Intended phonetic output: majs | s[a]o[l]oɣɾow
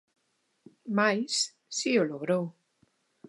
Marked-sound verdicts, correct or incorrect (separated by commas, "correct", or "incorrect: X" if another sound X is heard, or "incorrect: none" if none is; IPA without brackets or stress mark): incorrect: i, correct